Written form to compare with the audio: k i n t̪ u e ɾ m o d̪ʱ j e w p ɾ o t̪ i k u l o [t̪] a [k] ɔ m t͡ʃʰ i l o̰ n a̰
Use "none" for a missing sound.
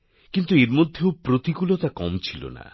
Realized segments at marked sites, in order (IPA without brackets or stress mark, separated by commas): t̪, k